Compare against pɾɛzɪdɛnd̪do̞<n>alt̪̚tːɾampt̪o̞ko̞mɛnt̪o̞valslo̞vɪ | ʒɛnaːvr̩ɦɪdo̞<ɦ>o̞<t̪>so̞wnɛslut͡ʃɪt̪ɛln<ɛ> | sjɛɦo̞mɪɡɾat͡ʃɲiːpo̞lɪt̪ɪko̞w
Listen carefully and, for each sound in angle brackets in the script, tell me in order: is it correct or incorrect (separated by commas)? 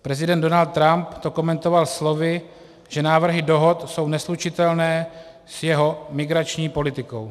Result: correct, correct, correct, incorrect